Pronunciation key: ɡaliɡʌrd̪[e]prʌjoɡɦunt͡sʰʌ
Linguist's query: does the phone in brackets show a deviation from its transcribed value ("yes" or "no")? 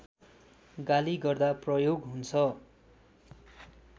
yes